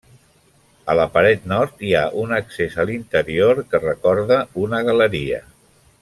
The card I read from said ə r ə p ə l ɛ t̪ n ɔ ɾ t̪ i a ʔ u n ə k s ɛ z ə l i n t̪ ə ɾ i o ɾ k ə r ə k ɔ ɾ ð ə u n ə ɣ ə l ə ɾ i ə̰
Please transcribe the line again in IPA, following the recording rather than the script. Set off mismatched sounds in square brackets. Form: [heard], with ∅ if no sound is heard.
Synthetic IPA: ə [l] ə p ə [ɾ] ɛ t̪ n ɔ ɾ t̪ i a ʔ u n ə k s [e] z ə l i n t̪ ə ɾ i o ɾ k ə r ə k ɔ ɾ ð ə u n ə ɣ ə l ə ɾ i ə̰